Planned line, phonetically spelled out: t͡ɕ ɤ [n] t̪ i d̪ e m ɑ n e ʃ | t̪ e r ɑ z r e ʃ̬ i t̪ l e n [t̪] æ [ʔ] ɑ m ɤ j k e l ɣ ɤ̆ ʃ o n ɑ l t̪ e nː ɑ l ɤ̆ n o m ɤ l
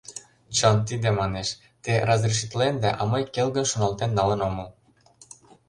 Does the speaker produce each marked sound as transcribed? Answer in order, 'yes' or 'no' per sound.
yes, no, yes

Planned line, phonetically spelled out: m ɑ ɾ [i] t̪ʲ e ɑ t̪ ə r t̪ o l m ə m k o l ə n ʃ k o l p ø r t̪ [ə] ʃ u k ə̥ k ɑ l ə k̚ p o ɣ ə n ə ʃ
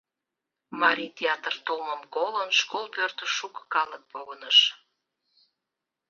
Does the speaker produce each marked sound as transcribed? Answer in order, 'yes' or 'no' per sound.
yes, yes

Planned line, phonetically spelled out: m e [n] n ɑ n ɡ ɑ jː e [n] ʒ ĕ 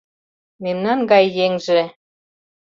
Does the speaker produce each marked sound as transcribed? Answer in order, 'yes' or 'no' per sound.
no, no

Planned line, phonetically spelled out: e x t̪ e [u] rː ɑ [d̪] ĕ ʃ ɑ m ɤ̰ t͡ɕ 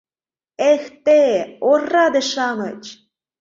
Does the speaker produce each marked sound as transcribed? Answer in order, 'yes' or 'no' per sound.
no, yes

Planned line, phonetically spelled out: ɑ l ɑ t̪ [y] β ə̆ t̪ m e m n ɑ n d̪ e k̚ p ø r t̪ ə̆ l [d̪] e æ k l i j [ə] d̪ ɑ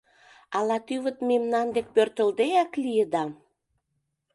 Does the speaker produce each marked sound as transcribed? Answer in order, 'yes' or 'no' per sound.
yes, yes, yes

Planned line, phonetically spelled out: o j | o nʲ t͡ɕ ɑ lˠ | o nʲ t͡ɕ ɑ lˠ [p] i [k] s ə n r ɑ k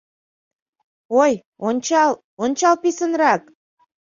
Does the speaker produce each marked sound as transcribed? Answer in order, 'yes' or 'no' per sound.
yes, no

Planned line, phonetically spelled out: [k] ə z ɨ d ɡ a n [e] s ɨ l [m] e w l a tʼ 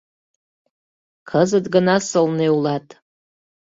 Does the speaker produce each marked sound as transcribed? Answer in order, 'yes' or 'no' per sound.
no, no, no

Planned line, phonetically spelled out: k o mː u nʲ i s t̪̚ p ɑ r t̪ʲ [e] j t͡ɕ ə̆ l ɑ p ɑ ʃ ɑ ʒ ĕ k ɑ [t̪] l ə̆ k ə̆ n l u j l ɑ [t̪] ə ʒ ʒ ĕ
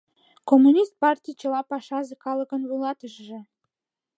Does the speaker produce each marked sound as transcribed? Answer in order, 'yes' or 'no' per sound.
no, no, yes

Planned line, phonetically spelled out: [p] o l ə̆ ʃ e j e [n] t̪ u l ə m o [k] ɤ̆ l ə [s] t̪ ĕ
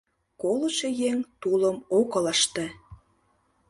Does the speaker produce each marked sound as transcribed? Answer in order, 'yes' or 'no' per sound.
no, no, yes, no

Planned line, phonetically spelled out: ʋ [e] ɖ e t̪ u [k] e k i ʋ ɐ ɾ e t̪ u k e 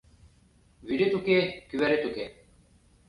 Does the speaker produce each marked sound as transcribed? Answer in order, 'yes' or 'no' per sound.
no, yes

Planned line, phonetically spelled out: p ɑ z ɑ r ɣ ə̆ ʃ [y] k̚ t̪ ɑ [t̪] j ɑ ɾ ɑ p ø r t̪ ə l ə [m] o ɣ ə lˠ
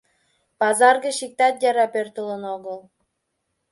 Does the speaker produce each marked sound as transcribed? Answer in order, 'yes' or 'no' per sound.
no, yes, no

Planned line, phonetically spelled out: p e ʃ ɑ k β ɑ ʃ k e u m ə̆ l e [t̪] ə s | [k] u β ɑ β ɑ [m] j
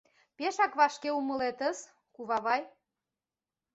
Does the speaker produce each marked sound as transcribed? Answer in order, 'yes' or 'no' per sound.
yes, yes, no

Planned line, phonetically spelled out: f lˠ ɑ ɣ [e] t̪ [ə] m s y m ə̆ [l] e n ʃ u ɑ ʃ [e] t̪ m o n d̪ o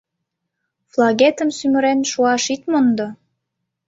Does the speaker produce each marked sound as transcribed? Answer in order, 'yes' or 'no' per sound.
yes, yes, no, no

